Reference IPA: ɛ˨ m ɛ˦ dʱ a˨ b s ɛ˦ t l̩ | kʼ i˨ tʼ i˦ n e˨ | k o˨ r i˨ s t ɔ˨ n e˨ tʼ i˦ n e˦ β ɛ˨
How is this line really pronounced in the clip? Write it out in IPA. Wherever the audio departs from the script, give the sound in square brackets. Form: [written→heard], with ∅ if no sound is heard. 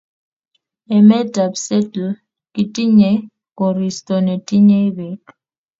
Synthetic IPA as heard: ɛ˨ m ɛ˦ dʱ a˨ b s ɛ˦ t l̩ | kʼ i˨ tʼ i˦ [n→ɲ] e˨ | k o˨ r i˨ s t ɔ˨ n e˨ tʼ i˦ [n→ɲ] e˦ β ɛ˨